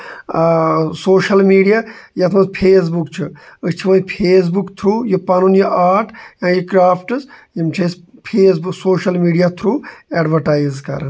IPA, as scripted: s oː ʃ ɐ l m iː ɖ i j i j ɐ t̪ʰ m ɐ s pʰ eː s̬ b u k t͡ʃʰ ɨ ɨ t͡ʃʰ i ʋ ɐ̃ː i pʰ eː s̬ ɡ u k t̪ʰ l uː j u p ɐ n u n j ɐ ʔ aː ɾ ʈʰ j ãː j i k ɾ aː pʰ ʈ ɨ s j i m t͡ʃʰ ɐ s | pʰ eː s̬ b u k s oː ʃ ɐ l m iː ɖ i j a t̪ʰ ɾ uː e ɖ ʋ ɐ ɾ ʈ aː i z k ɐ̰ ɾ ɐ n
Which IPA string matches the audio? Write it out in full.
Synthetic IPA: s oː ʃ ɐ l m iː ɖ i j a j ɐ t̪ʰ m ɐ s pʰ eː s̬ b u k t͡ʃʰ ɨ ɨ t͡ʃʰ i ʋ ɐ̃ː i pʰ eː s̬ b u k t̪ʰ ɾ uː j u p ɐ n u n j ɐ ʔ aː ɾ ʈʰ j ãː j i k ɾ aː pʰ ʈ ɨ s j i m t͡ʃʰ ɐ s | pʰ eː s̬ b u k s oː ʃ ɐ l m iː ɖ i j a t̪ʰ ɾ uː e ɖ ʋ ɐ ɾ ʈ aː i z k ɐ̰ ɾ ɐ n